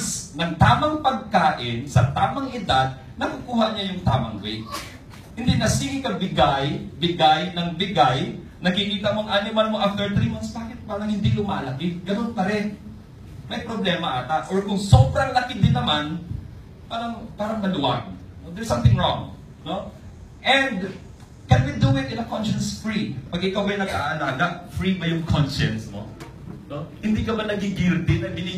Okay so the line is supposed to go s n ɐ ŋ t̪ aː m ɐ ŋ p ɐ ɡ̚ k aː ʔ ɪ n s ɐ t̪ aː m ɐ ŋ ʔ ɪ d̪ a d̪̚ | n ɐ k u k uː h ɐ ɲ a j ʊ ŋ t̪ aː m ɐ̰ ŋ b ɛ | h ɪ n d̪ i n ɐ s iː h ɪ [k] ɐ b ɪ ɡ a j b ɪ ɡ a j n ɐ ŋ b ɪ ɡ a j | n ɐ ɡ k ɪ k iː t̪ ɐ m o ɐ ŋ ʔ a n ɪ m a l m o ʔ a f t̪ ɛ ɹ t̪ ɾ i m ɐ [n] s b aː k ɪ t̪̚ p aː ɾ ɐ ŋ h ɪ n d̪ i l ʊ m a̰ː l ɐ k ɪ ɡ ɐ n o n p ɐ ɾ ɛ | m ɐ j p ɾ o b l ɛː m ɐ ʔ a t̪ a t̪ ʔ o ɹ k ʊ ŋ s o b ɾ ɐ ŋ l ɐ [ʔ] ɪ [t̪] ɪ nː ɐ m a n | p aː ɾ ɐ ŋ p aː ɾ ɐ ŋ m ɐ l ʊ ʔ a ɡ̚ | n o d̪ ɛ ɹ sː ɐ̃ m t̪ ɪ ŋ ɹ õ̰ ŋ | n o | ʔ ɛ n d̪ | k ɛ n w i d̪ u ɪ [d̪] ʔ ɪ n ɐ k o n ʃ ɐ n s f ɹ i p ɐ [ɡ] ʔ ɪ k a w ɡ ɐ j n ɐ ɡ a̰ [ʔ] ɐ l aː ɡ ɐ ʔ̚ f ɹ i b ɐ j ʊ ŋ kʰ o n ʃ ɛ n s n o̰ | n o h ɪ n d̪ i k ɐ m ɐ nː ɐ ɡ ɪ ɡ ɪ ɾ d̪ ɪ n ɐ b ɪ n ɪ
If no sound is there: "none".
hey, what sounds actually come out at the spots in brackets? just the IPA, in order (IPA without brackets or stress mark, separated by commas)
k, n, k, d̪, t̪, ɡ, ʔ